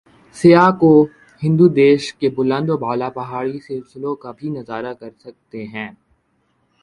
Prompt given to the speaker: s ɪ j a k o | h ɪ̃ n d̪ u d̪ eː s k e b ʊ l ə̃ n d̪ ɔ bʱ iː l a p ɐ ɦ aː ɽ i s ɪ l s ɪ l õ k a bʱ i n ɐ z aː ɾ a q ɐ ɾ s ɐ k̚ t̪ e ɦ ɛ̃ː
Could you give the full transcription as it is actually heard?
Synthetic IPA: s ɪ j a k o | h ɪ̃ n d̪ u d̪ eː ʃ k e b ʊ l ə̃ n d̪ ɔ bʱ aː l a p ɐ ɦ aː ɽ i s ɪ l s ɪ l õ k a bʱ i n ɐ z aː ɾ a k ɐ ɾ s ɐ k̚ t̪ e ɦ ɛ̃ː